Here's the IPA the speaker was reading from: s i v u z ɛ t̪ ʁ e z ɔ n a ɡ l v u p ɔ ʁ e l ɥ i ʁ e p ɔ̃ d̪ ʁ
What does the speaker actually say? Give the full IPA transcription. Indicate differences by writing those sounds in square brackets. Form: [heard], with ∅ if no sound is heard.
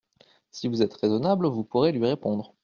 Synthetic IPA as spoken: s i v u z ɛ t̪ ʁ e z ɔ n a [b] l v u p [u] ʁ e l ɥ i ʁ e p ɔ̃ d̪ ʁ

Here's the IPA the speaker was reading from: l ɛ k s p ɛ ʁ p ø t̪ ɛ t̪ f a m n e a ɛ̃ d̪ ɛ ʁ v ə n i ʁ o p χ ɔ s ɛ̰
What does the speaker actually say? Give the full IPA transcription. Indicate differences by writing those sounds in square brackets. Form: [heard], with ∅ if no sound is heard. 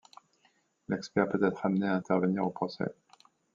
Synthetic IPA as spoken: l ɛ k s p ɛ ʁ p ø t̪ ɛ t̪ [χ] a m n e a ɛ̃ [t̪] ɛ ʁ v ə n i ʁ o p χ ɔ s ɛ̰

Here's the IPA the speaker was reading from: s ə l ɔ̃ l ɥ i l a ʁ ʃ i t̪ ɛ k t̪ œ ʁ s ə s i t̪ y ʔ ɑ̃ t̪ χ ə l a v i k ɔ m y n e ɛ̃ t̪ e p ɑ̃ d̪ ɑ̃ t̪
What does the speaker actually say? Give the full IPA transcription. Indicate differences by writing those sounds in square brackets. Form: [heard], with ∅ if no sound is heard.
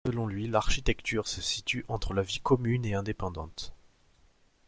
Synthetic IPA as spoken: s ə l ɔ̃ l ɥ i l a ʁ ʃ i t̪ ɛ k t̪ [y] ʁ s ə s i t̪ y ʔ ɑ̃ t̪ χ ə l a v i k ɔ m y n e ɛ̃ [d̪] e p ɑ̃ d̪ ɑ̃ t̪

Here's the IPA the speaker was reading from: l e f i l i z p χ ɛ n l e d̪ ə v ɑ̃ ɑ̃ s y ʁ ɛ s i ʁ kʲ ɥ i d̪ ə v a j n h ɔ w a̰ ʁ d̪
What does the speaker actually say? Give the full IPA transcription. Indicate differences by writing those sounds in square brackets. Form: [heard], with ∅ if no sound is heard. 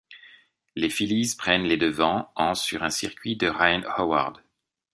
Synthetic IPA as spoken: l e f i l i z p χ ɛ n l e d̪ ə v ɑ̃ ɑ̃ s y ʁ [ɛ̃] s i ʁ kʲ ɥ i d̪ ə [ʁ] a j n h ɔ w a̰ ʁ d̪

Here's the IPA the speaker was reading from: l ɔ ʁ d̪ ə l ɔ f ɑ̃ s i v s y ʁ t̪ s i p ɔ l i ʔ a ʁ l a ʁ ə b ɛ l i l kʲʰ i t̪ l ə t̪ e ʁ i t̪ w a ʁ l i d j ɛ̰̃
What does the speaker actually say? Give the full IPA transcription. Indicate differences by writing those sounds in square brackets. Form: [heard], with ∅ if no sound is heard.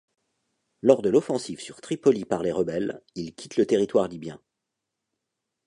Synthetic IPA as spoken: l ɔ ʁ d̪ ə l ɔ f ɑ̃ s i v s y ʁ t̪ [χ] i p ɔ l i [p] a ʁ l [e] ʁ ə b ɛ l i l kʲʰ i t̪ l ə t̪ e ʁ i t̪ w a ʁ l i [b] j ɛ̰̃

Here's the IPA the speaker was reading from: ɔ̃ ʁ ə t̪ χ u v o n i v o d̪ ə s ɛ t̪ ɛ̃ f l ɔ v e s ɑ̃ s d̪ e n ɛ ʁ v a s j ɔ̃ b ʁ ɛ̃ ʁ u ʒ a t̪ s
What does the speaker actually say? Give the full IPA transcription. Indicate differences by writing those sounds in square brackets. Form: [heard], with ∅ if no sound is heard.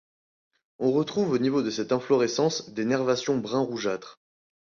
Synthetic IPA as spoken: ɔ̃ ʁ ə t̪ χ u v o n i v o d̪ ə s ɛ t̪ ɛ̃ f l ɔ [ʁ] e s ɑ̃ s d̪ e n ɛ ʁ v a s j ɔ̃ b ʁ ɛ̃ ʁ u ʒ a t̪ [χ]

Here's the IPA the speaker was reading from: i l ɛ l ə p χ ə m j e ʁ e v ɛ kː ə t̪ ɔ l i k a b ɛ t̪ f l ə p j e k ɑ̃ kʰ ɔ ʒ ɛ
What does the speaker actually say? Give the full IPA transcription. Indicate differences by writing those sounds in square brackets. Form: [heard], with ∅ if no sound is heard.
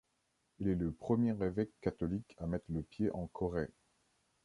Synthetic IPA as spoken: i l ɛ l ə p χ ə m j e ʁ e v ɛ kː [a] t̪ ɔ l i k a [m] ɛ t̪ [χ] l ə p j e [ʔ] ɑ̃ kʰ ɔ [ʁ] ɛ

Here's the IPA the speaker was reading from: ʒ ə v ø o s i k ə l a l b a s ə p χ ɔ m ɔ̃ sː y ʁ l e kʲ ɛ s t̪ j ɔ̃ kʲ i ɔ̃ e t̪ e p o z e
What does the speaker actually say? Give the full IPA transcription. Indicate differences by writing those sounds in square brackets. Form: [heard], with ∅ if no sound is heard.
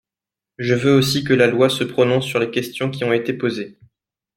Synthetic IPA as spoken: ʒ ə v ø o s i k ə l a l [w] a s ə p χ ɔ [n] ɔ̃ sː y ʁ l e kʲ ɛ s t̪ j ɔ̃ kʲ i ɔ̃ e t̪ e p o z e

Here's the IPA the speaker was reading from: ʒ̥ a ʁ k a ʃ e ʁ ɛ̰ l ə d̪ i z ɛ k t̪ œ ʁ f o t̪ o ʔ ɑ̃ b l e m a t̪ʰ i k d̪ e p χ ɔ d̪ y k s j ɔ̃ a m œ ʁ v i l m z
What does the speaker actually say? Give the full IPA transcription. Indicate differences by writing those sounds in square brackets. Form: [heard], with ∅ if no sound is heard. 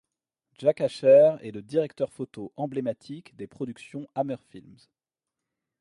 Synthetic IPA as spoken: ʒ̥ a [∅] k a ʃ [ɛ] ʁ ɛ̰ l ə d̪ i [ʁ] ɛ k t̪ œ ʁ f o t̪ o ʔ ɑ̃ b l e m a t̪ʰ i k d̪ e p χ ɔ d̪ y k s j ɔ̃ a m œ ʁ [f] i l m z

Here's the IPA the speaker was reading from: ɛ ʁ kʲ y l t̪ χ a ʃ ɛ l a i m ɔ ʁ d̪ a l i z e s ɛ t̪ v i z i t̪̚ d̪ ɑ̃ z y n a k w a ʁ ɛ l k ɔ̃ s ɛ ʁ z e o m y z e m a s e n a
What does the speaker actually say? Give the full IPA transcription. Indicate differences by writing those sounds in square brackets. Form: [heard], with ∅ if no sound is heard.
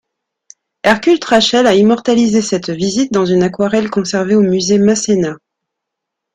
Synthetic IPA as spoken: ɛ ʁ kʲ y l t̪ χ a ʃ ɛ l a i m ɔ ʁ [t̪] a l i z e s ɛ t̪ v i z i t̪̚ d̪ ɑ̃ z y n a k w a ʁ ɛ l k ɔ̃ s ɛ ʁ [v] e o m y z e m a s e n a

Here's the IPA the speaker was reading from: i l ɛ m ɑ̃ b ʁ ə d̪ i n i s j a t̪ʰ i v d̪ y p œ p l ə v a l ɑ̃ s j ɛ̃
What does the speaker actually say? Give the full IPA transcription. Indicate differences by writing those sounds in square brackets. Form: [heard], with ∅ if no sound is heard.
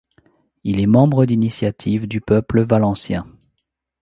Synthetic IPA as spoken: i l ɛ m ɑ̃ b ʁ ə d̪ i n i s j a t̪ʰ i v d̪ y p œ p l ə v a l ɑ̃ s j ɛ̃

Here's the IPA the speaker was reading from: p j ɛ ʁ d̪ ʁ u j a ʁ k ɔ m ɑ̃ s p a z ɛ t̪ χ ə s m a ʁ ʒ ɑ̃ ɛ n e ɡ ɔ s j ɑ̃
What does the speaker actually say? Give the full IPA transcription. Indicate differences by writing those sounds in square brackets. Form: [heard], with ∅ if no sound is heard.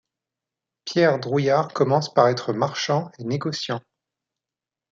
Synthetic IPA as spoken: p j ɛ ʁ d̪ ʁ u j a ʁ k ɔ m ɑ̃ s p a [ʁ] ɛ t̪ χ ə [∅] m a ʁ [ʃ] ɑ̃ [e] n e ɡ ɔ s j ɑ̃

